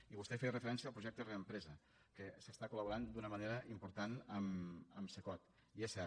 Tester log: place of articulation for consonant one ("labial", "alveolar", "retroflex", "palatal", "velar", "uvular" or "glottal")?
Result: labial